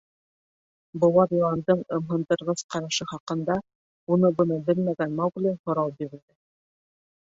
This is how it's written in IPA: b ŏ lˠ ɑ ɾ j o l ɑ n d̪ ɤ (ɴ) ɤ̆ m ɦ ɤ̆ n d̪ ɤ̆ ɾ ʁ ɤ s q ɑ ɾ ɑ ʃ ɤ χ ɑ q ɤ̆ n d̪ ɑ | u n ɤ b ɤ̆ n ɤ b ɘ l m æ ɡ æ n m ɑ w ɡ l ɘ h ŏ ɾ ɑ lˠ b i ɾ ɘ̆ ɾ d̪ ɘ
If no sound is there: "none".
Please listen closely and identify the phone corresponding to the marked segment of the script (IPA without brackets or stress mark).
ɴ